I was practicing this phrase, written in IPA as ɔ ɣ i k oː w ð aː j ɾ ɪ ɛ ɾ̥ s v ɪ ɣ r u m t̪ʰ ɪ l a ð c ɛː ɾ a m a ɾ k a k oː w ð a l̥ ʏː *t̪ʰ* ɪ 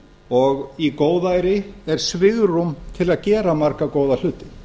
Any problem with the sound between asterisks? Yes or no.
yes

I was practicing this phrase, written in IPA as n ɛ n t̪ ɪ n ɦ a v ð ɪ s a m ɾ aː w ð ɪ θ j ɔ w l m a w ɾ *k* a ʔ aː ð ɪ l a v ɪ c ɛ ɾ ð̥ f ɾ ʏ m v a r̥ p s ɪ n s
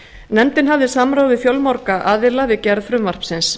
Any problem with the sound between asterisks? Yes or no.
no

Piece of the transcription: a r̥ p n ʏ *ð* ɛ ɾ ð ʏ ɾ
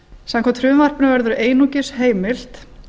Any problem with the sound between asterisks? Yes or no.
yes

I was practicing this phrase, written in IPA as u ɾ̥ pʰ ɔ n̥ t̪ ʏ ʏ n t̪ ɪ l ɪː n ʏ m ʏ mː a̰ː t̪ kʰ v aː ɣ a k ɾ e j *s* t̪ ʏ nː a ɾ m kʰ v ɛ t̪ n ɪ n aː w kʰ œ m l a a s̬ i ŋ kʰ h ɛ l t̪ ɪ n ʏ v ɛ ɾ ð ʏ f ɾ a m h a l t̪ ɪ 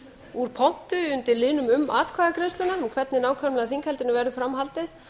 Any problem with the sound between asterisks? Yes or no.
no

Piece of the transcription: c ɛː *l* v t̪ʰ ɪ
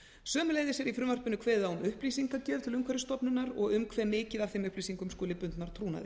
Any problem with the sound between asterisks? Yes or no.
yes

